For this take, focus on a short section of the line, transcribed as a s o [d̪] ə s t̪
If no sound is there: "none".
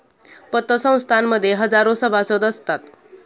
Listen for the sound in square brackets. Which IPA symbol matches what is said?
d̪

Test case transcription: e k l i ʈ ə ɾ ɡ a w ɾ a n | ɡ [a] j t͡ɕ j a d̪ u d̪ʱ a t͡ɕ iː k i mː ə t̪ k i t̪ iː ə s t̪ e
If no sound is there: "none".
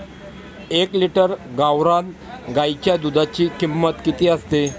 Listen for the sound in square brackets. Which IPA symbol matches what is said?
a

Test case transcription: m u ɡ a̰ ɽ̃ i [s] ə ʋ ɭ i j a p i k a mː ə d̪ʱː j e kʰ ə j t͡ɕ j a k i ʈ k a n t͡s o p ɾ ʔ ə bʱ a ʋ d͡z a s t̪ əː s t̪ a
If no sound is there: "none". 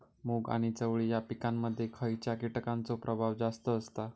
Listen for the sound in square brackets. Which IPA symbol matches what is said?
t͡s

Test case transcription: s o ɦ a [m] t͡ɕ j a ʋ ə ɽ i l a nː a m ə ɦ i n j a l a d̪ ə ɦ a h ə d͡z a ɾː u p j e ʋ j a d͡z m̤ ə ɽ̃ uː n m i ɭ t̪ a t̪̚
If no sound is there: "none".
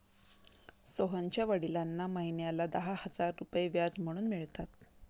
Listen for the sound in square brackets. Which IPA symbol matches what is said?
ɲ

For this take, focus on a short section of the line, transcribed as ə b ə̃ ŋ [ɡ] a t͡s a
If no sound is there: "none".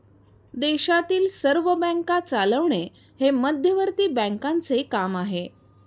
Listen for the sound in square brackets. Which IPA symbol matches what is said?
k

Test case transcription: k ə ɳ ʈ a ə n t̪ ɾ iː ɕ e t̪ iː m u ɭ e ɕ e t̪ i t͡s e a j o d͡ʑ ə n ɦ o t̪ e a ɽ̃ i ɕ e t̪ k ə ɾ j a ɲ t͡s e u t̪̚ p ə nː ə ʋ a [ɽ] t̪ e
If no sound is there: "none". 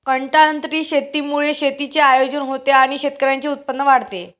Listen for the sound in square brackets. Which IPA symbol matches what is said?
ɽ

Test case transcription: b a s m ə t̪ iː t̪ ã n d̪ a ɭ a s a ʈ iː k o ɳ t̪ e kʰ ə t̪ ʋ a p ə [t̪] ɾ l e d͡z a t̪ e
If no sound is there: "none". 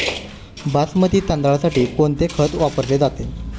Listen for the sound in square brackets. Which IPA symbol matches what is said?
none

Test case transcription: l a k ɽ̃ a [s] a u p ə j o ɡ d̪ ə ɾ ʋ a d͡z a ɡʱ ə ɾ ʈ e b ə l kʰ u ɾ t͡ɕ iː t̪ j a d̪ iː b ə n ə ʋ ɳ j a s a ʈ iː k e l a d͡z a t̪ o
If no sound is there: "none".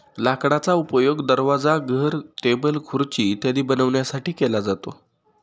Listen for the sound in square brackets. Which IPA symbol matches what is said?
t͡s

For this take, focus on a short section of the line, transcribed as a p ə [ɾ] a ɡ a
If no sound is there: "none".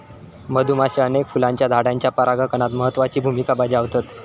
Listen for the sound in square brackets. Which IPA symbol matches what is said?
ɾ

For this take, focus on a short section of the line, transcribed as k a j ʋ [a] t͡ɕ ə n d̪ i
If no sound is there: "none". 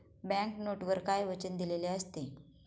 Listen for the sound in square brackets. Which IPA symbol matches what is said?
ə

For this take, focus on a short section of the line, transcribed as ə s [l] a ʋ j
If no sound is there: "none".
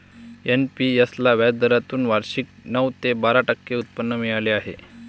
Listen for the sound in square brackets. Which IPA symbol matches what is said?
l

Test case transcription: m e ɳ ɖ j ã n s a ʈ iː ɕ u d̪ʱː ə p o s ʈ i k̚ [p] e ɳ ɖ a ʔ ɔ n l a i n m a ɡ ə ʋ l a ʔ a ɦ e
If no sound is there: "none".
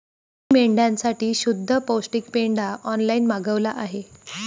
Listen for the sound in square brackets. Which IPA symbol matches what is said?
p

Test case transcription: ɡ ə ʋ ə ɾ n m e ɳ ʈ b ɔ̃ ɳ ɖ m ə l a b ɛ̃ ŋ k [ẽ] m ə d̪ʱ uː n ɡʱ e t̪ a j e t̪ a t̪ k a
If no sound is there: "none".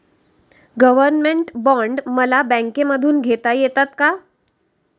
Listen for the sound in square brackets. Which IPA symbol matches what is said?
e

